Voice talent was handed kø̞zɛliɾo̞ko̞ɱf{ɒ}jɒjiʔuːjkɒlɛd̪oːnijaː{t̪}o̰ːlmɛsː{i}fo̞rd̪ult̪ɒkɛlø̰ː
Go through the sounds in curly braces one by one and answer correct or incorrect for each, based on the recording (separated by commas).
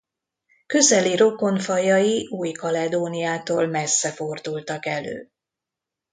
correct, correct, incorrect